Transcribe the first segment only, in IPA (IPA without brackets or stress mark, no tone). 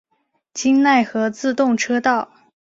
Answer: t͡ɕ